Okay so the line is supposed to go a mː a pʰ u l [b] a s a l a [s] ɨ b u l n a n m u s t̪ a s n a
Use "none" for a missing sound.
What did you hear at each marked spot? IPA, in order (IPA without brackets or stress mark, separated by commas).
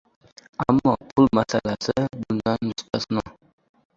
m, s